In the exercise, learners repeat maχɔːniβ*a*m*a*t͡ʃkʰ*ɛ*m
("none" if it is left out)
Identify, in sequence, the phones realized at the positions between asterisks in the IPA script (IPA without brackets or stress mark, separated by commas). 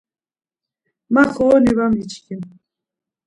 a, i, i